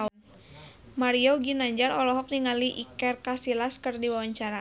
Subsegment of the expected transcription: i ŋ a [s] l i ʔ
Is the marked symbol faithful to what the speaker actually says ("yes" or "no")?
no